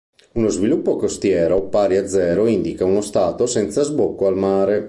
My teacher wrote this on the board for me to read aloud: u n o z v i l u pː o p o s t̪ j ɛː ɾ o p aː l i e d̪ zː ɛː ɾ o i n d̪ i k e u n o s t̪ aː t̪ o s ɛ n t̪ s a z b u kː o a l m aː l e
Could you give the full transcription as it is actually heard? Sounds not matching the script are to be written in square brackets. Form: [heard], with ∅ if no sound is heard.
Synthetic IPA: u n o z v i l u pː o [k] o s t̪ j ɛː ɾ o p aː [ɾ] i [a] d̪ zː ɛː ɾ o i n d̪ i k [a] u n o s t̪ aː t̪ o s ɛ n t̪ s a z b [o] kː o a l m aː [ɾ] e

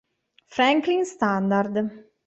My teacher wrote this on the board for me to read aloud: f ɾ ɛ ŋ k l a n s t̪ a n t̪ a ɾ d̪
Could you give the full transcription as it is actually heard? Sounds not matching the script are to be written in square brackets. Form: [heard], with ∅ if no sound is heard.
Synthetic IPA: f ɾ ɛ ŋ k l [i] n s t̪ a n [d̪] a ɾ d̪

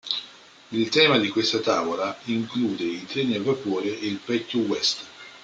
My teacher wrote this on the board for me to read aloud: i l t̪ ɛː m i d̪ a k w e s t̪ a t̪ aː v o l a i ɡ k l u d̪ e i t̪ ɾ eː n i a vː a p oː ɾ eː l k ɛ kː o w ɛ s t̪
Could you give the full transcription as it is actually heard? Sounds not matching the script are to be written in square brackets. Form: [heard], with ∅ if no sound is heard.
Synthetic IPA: i l t̪ ɛː m [a] d̪ [i] k w e s t̪ a t̪ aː v o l a i [ŋ] k l [uː] d̪ e i t̪ ɾ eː n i a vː a p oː ɾ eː l [p] ɛ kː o w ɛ s t̪

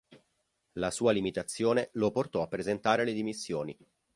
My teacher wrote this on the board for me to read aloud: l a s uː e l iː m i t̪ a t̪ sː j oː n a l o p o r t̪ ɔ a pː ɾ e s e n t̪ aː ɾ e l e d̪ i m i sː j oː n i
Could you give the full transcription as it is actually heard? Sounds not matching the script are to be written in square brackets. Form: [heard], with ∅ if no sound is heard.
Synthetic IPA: l a s uː [a] l [i] m i t̪ a t̪ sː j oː n [e] l o p o r t̪ ɔ a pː ɾ e [z] e n t̪ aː ɾ e l e d̪ i m i sː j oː n i

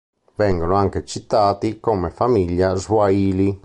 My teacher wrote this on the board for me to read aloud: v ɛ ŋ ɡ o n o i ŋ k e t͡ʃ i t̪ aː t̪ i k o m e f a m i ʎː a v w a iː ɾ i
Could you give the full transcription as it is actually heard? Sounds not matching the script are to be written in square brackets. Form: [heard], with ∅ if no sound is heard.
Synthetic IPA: v ɛ ŋ ɡ o n o [a] ŋ k e t͡ʃ i t̪ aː t̪ i k o m e f a m i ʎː a [z] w a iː [l] i

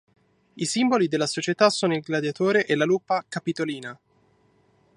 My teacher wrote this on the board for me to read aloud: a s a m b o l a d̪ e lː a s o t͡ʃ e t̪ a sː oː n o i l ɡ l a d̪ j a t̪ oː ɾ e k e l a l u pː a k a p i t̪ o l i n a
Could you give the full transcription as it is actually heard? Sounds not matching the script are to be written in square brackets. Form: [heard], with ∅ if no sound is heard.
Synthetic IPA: [i] s [i] m b o l [i] d̪ e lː a s o t͡ʃ e t̪ a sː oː n o i l ɡ l a d̪ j a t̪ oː ɾ e [ʔ] e l a l u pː a k a p i t̪ o l [iː] n a

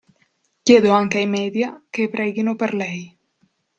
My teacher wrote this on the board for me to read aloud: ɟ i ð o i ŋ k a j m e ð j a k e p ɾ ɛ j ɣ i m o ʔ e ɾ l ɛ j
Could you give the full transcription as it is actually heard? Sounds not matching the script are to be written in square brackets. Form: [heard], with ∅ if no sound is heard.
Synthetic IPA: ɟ [e] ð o [a] ŋ k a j m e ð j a k e p ɾ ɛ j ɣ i [n] o [p] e ɾ l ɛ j

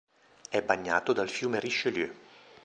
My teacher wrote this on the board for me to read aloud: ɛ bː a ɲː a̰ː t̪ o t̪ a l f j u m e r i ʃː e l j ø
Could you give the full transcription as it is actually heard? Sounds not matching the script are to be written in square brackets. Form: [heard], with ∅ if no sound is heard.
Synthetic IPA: ɛ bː a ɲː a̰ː t̪ o [d̪] a l f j [uː] m e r i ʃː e l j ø

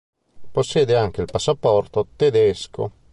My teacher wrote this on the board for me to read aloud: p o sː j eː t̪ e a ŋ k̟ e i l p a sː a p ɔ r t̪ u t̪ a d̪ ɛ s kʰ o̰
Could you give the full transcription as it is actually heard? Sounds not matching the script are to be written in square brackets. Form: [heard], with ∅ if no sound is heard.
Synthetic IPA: p o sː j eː [d̪] e a ŋ k̟ e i l p a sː a p ɔ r t̪ [o] t̪ [e] d̪ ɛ s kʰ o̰

